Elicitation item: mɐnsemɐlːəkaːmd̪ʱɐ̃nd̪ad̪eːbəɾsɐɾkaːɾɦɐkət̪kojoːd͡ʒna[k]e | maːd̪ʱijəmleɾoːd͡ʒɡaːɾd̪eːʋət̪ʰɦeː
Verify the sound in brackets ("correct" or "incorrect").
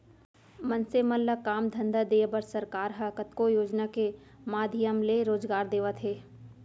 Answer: correct